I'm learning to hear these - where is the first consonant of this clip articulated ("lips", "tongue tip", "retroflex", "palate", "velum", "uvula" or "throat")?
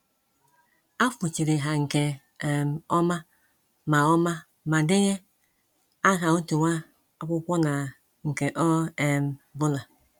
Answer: lips